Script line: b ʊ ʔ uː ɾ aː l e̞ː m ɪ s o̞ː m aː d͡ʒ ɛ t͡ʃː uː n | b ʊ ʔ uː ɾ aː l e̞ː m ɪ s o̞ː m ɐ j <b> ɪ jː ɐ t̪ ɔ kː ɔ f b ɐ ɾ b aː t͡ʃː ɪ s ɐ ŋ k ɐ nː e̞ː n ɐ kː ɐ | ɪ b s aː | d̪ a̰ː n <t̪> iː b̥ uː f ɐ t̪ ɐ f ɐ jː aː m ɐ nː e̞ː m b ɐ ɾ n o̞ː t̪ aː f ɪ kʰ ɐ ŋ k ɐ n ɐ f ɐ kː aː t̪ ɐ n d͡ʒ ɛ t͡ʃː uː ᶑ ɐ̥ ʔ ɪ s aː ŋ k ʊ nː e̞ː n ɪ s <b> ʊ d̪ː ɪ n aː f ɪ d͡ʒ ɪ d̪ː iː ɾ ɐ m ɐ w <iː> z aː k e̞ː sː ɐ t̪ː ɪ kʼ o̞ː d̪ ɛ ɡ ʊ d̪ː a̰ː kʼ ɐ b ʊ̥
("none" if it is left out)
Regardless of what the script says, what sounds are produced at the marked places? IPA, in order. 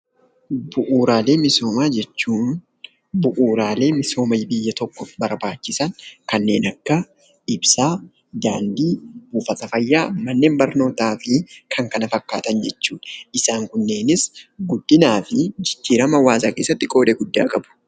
b, d̪, ɡ, aː

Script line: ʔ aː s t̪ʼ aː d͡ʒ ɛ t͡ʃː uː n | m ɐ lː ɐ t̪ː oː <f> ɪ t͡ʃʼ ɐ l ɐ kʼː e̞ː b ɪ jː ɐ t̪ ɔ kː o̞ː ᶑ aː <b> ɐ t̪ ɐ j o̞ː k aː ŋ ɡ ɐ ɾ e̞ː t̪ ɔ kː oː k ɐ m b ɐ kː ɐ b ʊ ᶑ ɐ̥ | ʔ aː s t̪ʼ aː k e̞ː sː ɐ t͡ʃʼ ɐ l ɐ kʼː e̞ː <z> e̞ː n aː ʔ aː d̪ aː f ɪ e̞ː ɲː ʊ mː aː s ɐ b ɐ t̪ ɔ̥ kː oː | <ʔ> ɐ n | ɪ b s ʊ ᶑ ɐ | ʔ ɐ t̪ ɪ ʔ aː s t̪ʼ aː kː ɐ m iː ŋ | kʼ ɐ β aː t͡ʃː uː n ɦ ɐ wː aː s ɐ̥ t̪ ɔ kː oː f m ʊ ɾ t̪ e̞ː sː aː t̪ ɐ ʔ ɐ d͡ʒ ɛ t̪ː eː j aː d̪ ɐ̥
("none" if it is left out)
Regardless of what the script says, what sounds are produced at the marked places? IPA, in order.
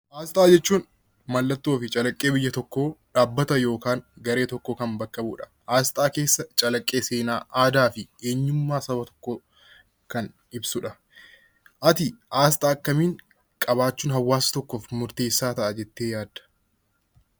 f, bː, s, k

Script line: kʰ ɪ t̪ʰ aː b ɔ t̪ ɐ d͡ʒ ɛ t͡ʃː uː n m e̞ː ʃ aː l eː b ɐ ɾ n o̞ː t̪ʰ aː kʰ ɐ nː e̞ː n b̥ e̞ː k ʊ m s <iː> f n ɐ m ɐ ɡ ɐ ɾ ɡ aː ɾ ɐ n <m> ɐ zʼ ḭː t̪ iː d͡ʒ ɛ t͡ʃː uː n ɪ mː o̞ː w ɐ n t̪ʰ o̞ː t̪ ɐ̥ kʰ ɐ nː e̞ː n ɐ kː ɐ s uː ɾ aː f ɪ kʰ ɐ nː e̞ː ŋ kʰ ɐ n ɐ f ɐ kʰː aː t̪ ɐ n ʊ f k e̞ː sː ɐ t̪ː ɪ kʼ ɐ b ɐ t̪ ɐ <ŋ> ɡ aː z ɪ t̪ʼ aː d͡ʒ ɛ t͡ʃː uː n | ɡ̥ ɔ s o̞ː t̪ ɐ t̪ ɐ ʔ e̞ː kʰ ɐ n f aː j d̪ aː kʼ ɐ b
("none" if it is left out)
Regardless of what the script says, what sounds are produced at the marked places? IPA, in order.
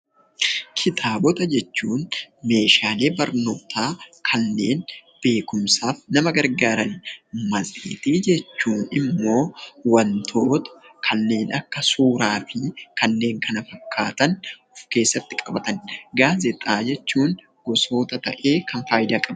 aː, m, n

